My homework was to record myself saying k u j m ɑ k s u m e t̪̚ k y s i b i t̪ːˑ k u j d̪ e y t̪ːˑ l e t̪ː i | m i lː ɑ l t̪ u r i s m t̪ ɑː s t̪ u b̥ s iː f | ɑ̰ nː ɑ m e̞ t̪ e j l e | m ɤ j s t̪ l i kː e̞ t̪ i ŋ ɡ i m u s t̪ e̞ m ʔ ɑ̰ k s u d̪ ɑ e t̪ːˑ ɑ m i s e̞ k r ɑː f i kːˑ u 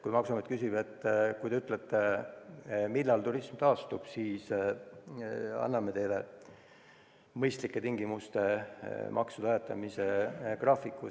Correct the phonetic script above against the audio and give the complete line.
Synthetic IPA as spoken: k u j m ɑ k s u m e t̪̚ k y s i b e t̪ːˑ k u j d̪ e y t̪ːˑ l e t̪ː e | m i lː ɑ l t̪ u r i s m t̪ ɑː s t̪ u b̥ s iː s | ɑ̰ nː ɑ m e̞ t̪ e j l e | m ɤ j s t̪ l i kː e̞ t̪ i ŋ ɡ i m u s t̪ e̞ m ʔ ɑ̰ k s u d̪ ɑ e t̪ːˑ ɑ m i s e̞ k r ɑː f i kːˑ u